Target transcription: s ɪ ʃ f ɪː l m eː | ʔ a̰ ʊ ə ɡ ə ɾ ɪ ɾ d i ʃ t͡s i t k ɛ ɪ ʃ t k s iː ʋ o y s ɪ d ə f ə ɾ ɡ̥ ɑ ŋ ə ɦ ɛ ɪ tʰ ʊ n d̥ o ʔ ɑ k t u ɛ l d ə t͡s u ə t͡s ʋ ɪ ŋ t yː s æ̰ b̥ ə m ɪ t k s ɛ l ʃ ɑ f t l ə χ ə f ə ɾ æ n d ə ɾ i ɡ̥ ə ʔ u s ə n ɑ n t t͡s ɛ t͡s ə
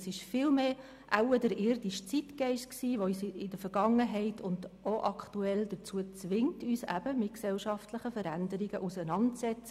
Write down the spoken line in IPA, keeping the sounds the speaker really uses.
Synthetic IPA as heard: s ɪ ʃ f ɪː l m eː | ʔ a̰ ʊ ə d ə ɾ ɪ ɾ d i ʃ t͡s i t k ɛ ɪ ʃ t k s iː ʋ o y s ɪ d ə f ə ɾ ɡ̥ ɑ ŋ ə ɦ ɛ ɪ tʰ ʊ n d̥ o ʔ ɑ k t u ɛ l d ə t͡s u ə t͡s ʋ ɪ ŋ t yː s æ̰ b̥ ə m ɪ t k s ɛ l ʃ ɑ f t l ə χ ə f ə ɾ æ n d ə ɾ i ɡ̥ ə ʔ u s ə n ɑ n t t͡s ɛ t͡s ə